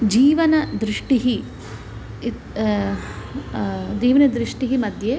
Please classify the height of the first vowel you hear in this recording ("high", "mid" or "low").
high